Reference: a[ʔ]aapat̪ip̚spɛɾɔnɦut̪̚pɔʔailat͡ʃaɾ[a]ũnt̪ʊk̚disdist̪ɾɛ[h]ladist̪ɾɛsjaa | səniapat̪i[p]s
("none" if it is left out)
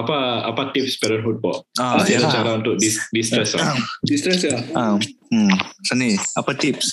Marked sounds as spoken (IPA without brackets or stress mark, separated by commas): p, a, s, p